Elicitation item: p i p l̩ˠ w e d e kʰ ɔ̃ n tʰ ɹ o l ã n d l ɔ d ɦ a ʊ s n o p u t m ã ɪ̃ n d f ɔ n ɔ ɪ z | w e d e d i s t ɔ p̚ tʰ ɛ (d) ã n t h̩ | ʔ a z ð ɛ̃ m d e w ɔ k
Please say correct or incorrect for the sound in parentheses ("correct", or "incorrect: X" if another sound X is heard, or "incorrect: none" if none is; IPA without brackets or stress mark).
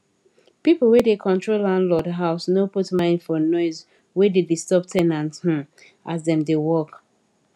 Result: incorrect: n